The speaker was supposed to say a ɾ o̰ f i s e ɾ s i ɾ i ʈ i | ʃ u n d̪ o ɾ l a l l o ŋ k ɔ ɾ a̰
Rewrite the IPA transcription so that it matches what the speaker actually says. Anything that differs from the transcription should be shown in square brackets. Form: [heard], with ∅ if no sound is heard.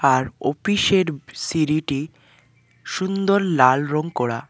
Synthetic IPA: a ɾ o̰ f i [ʃ] e ɾ s i ɾ i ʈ i | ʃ u n d̪ o ɾ l a l [ɾ] o ŋ k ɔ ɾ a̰